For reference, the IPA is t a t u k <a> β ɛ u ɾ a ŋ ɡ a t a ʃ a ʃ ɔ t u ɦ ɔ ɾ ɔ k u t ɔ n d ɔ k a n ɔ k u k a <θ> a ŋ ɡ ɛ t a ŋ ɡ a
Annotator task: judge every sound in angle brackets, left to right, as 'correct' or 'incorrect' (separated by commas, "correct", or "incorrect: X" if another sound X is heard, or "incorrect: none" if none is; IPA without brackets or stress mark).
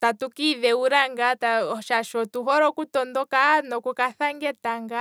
incorrect: i, correct